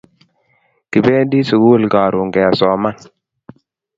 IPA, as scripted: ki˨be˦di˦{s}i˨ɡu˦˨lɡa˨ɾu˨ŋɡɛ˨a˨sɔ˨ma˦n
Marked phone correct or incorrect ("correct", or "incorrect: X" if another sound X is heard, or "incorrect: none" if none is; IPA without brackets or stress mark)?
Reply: correct